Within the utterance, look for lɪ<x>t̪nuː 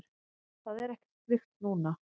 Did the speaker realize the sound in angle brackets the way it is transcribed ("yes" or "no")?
yes